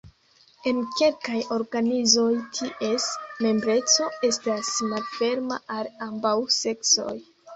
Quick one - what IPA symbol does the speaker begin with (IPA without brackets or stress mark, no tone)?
e̞